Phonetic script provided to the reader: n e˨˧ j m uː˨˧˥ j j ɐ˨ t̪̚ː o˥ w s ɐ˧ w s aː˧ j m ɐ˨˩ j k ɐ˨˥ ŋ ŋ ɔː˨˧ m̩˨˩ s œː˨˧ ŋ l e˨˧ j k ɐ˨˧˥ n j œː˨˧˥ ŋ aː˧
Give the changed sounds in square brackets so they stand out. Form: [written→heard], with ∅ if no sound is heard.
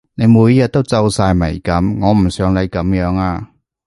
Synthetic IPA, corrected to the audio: n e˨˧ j m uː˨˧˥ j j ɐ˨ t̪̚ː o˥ w [s→t͡s] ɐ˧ w s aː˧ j m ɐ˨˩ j k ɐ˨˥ [ŋ→m] ŋ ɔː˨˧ m̩˨˩ s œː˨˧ ŋ l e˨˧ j k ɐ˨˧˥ [n→m] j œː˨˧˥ ŋ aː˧

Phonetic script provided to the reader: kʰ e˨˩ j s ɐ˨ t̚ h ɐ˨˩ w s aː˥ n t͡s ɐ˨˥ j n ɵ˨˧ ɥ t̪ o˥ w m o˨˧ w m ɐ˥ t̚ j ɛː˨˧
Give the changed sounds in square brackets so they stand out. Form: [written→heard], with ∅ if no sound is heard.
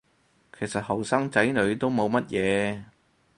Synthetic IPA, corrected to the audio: kʰ e˨˩ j s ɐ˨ t̚ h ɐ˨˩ w s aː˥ [n→ŋ] t͡s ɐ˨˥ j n ɵ˨˧ ɥ t̪ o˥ w m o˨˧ w m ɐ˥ t̚ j ɛː˨˧

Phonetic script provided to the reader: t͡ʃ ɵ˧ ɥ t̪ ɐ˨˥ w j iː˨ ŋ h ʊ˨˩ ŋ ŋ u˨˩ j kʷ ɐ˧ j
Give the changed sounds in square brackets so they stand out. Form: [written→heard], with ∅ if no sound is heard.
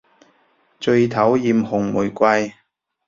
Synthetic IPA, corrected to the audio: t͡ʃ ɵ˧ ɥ [t̪→t̪ʰ] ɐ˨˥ w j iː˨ [ŋ→m] h ʊ˨˩ ŋ [ŋ→m] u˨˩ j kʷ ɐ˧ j

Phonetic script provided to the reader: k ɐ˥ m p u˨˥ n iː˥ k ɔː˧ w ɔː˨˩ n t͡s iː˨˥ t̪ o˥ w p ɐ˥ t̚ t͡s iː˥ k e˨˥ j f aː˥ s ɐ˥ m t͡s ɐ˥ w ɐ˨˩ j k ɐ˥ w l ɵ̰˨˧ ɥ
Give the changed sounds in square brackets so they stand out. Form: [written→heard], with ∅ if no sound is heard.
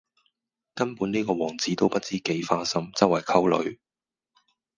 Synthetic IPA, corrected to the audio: k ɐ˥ [m→n] p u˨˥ n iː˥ k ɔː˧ w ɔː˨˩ [n→ŋ] t͡s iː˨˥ t̪ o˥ w p ɐ˥ t̚ t͡s iː˥ k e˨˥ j f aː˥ s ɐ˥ m t͡s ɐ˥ w ɐ˨˩ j [k→kʰ] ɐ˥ w l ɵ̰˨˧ ɥ

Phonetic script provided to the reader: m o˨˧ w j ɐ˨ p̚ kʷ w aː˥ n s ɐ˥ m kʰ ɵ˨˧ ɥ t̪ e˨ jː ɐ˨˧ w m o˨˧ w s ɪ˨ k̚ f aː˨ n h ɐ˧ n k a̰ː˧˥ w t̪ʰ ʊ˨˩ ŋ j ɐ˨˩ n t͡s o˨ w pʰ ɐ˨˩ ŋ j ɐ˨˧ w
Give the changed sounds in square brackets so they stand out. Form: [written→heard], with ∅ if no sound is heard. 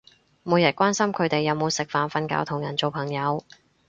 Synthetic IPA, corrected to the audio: m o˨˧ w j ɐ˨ [p̚→t̚] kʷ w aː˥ n s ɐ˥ m kʰ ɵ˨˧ ɥ t̪ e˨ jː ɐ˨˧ w m o˨˧ w s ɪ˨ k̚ f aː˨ n [h→f] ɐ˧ n k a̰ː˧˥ w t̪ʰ ʊ˨˩ ŋ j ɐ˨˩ n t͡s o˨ w pʰ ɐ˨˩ ŋ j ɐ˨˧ w

